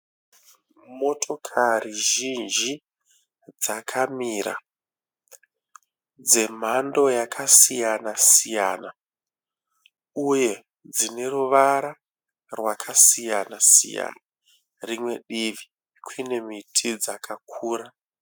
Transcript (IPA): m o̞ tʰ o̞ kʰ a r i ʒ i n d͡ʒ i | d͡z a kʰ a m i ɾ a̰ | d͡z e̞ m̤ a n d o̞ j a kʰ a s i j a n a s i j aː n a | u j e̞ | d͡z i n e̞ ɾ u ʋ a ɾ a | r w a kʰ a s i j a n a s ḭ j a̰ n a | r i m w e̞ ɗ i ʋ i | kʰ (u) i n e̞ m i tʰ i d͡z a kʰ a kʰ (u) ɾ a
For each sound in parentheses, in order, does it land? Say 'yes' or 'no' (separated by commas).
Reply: no, no